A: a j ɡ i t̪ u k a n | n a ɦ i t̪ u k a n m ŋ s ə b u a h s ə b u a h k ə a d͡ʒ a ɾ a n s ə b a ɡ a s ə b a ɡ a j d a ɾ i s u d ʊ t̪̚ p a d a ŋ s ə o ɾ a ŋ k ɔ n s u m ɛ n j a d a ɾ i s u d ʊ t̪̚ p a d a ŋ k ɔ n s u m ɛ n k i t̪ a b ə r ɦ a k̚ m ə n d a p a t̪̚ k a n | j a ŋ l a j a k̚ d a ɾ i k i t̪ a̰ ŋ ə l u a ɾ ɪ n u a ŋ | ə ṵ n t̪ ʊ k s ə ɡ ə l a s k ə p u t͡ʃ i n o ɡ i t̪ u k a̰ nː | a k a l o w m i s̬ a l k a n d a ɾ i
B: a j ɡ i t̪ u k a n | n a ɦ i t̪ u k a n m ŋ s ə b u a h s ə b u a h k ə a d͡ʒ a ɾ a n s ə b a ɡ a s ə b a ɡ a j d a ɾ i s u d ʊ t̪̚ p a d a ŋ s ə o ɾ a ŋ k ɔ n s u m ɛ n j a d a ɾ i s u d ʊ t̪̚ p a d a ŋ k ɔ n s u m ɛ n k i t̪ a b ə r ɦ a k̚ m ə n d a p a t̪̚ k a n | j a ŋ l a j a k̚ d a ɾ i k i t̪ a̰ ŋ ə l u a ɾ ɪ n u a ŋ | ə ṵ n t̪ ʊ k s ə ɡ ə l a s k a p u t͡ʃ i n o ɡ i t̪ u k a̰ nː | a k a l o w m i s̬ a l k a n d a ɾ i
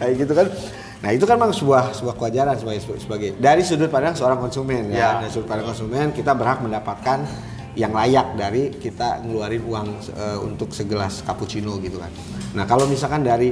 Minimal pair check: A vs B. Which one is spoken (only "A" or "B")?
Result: B